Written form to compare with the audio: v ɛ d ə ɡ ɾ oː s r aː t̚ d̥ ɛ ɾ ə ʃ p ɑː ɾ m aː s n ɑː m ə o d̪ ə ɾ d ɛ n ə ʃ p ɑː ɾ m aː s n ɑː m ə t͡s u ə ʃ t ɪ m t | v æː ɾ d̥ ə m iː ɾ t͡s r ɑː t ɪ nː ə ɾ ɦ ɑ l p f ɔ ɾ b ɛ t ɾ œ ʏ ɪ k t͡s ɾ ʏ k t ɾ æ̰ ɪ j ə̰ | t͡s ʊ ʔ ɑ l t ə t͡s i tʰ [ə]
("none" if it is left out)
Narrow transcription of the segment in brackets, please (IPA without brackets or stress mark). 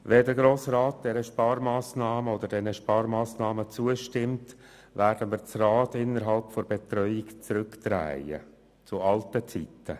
ə